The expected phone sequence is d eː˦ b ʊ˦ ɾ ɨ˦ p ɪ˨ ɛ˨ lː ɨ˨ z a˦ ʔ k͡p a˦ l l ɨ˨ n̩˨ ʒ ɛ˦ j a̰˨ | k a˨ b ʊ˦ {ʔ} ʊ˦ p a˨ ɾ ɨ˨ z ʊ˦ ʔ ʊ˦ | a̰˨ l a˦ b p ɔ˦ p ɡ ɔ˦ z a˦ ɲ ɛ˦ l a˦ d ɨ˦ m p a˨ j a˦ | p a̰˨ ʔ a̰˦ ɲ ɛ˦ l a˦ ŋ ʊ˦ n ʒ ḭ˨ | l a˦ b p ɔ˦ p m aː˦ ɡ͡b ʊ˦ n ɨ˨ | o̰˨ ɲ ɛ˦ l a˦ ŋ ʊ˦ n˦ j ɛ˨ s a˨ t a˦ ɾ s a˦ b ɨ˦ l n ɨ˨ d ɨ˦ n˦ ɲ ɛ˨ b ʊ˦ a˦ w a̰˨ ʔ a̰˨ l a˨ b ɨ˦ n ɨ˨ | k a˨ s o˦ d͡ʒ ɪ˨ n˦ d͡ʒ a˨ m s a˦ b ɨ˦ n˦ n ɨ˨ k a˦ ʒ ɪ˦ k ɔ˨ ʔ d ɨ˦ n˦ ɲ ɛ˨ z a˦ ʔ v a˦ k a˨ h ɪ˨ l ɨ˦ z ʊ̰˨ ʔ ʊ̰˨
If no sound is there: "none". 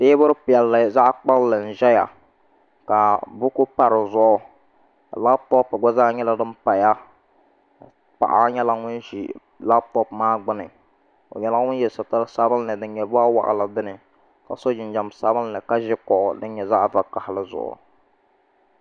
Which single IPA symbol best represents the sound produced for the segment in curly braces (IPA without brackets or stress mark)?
k